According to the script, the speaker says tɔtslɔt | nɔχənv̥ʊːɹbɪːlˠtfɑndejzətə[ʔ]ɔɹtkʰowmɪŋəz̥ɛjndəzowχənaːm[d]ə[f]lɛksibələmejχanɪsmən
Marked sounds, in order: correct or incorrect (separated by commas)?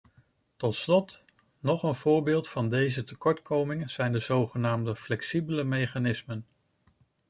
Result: incorrect, correct, correct